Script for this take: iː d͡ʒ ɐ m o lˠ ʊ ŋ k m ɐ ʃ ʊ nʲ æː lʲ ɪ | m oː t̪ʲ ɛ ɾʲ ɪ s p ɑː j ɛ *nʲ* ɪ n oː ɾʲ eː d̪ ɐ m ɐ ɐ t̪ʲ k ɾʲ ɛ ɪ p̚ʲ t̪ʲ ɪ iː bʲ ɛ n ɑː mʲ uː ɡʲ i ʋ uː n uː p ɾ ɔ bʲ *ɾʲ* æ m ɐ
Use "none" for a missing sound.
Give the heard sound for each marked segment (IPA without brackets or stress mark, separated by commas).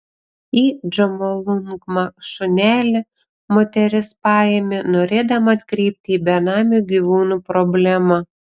mʲ, lʲ